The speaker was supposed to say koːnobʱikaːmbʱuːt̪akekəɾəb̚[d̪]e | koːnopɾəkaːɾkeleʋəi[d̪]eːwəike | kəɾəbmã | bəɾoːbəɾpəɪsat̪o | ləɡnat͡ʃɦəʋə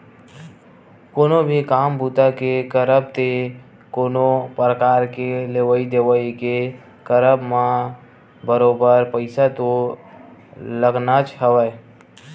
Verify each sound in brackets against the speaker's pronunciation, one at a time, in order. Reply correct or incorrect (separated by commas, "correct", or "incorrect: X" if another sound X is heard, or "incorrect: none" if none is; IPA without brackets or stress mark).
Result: incorrect: t̪, correct